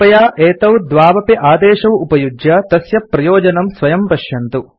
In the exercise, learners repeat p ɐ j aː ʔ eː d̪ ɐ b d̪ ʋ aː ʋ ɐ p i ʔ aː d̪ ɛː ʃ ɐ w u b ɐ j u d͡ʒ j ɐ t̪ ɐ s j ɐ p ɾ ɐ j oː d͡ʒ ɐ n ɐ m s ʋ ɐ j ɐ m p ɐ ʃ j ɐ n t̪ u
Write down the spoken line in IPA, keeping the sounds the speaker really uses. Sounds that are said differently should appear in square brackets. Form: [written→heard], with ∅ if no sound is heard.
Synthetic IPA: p ɐ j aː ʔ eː [d̪→t̪] ɐ [b→w] d̪ ʋ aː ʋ ɐ p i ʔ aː d̪ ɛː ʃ ɐ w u [b→p] ɐ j u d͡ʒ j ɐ t̪ ɐ s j ɐ p ɾ ɐ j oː d͡ʒ ɐ n ɐ m s ʋ ɐ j ɐ m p ɐ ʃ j ɐ n t̪ u